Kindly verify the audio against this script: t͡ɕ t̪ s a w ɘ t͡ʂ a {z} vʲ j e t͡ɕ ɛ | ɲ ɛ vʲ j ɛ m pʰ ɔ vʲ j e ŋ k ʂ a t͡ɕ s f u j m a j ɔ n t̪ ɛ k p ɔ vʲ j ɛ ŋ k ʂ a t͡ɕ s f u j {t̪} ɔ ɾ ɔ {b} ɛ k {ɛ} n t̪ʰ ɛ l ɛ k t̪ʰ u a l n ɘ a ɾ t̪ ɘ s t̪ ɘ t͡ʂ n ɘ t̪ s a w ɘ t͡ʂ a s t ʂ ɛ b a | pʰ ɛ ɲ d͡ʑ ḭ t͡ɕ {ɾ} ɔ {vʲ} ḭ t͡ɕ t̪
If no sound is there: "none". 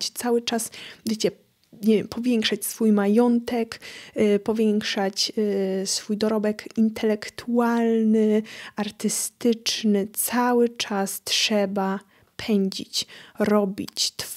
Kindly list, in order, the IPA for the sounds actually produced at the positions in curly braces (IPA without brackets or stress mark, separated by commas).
s, d̪, b, i, ɾ, bʲ